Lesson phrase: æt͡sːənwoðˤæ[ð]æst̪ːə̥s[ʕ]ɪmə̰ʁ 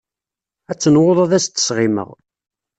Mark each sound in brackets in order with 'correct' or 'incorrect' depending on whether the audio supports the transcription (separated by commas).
correct, incorrect